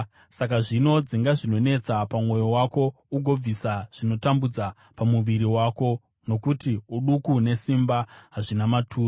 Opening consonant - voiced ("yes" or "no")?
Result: no